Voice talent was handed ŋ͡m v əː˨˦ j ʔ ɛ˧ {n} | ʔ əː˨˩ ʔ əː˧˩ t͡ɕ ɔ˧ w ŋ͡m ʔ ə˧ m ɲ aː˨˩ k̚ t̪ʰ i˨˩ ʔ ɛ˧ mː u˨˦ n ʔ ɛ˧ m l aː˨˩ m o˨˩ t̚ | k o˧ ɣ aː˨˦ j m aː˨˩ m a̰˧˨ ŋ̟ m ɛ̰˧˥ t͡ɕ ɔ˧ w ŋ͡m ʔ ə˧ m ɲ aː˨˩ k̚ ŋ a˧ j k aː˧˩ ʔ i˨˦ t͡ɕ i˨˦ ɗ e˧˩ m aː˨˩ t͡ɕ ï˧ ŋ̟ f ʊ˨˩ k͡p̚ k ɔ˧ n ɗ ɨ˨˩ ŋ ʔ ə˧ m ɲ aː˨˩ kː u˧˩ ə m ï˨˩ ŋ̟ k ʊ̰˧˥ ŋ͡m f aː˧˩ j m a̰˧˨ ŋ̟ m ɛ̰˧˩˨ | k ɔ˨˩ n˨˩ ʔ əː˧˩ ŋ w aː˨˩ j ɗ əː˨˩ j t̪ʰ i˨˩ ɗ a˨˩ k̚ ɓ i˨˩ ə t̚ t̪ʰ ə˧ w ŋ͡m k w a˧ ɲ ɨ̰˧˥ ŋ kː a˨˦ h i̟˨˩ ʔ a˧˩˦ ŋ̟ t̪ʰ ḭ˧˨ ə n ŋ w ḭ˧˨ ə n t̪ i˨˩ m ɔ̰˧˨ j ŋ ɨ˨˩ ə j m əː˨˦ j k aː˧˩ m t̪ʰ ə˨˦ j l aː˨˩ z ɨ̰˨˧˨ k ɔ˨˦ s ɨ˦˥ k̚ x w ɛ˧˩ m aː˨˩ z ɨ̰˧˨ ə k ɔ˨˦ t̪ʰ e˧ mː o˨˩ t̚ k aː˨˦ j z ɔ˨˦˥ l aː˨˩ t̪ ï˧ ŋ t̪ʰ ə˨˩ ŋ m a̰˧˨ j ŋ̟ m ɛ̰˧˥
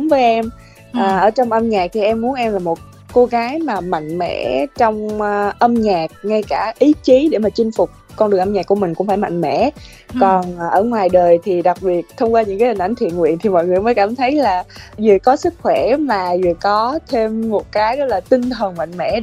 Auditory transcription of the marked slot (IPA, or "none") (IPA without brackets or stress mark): m